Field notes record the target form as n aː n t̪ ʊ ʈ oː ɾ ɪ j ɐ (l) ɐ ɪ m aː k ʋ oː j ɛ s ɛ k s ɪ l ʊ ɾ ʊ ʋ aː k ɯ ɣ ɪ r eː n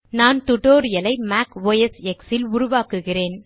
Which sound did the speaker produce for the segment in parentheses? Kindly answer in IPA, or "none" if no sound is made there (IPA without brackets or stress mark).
l